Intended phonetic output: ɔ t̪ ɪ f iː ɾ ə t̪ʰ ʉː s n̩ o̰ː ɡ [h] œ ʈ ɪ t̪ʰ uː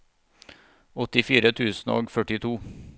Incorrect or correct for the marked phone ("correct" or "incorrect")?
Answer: incorrect